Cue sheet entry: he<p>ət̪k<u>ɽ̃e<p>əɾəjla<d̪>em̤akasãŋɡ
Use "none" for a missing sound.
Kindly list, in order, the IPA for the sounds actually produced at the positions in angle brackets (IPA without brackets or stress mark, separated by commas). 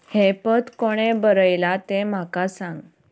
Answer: p, o, b, t̪